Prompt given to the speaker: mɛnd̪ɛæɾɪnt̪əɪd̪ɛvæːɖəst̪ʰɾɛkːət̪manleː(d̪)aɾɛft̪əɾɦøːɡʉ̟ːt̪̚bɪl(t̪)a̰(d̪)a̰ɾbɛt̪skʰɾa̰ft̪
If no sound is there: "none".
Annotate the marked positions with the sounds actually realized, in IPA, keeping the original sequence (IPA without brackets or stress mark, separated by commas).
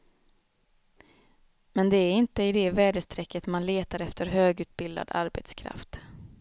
t̪, d̪, d̪